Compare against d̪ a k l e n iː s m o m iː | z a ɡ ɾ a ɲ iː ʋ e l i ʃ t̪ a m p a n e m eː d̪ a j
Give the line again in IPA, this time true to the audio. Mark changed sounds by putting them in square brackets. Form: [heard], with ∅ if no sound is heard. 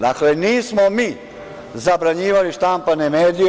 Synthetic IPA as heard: d̪ a k l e n iː s m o m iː | z a [b] ɾ a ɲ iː ʋ [a] l i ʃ t̪ a m p a n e m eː d̪ [i] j